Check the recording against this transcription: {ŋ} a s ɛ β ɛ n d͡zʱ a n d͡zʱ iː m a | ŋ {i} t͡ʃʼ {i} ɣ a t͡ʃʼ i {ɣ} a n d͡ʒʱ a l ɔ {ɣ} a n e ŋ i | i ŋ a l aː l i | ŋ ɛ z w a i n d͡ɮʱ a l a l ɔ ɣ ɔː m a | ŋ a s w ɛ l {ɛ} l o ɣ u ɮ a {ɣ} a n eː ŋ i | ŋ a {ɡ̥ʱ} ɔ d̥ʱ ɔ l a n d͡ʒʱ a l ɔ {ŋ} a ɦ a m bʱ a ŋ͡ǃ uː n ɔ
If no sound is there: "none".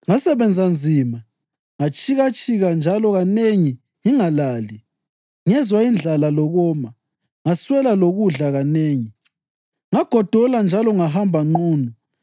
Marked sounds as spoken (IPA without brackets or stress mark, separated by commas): ŋ, a, i, ɣ, ɣ, a, ɣ, ɡ̥ʱ, ŋ